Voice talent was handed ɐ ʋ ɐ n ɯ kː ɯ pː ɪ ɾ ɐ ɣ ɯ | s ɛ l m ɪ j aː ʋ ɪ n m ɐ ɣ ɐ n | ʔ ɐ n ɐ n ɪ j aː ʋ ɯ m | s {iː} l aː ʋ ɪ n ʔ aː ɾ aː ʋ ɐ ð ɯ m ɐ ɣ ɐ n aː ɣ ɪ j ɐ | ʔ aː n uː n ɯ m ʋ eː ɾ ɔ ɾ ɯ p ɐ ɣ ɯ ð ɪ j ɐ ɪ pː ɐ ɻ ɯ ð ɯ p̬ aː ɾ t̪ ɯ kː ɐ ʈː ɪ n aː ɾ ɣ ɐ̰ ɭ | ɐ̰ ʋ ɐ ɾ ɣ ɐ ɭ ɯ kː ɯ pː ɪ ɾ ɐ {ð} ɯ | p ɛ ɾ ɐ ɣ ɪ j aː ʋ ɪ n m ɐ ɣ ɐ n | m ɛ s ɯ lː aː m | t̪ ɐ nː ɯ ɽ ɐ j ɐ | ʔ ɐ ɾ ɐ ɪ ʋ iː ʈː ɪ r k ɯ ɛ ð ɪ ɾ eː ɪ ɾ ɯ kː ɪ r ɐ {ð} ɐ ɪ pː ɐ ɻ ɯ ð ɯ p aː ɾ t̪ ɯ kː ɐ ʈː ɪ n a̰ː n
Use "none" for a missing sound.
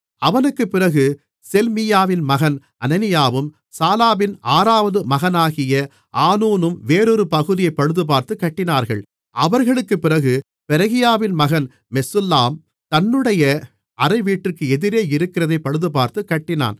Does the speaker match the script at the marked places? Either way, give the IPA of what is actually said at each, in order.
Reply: aː, ɣ, ð

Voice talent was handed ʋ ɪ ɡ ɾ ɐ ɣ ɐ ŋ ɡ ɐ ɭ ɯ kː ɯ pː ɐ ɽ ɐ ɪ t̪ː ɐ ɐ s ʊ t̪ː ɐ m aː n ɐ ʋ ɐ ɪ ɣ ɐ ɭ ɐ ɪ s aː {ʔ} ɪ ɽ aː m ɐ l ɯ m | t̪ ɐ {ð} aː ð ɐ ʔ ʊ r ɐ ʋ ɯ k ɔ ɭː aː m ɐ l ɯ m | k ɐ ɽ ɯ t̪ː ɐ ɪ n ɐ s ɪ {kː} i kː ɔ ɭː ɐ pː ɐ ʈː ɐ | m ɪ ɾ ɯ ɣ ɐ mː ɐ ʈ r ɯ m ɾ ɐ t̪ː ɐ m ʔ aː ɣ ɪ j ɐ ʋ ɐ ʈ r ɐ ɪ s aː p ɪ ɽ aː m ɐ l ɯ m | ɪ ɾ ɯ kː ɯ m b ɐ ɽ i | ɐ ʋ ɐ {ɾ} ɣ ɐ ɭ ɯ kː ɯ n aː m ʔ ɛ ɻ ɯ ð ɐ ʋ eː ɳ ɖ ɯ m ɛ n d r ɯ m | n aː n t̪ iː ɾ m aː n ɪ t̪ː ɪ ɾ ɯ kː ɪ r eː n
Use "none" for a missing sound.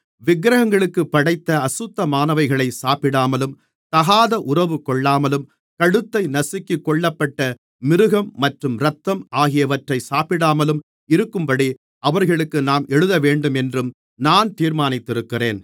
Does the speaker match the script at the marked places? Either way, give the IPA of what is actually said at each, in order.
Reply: p, ɣ, kː, ɾ

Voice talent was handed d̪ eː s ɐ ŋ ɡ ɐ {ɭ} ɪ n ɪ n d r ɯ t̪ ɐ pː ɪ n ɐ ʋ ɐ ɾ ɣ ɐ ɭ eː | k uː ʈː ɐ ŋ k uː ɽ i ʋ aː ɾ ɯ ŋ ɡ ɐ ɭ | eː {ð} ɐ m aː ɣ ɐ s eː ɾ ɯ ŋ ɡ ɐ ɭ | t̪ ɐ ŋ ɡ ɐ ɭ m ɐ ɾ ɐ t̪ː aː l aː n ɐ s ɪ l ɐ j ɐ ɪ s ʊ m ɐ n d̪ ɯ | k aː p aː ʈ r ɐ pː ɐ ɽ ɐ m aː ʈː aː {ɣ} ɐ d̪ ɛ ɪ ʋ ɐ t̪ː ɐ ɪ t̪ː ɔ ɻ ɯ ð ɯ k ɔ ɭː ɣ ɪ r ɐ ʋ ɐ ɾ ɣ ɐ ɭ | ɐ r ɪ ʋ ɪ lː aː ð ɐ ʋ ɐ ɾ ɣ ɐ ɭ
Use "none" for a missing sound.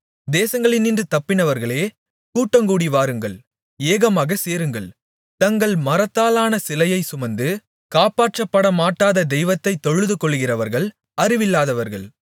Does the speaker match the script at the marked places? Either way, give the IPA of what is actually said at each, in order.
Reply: ɭ, ɣ, ð

